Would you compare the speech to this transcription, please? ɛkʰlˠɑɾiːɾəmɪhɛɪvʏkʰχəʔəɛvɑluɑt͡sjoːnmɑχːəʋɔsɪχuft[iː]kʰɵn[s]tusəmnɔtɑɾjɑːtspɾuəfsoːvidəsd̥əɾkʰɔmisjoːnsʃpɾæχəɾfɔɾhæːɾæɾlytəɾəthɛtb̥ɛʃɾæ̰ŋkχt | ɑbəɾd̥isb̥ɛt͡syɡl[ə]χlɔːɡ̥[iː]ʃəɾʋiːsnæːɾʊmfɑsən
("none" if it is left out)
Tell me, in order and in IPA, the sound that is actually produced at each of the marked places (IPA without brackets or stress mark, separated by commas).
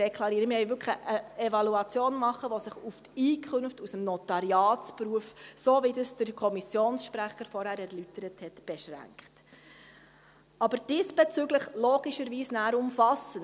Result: iː, f, ə, i